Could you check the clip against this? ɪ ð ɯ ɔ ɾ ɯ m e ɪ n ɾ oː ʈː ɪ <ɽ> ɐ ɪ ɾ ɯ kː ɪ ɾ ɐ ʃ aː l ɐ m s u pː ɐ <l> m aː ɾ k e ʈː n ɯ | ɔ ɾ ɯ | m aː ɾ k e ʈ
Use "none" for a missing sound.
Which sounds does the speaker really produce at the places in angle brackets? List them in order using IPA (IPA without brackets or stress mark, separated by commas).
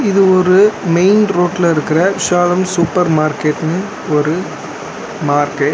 l, ɾ